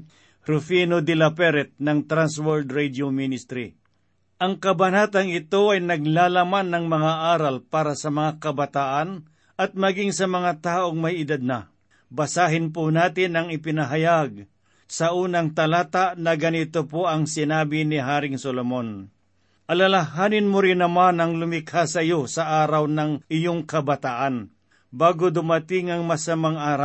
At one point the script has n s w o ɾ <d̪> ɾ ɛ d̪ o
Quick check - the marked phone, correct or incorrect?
correct